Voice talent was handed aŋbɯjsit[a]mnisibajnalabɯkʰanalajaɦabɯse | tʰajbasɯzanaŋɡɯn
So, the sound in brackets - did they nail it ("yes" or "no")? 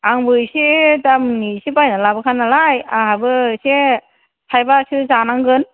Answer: yes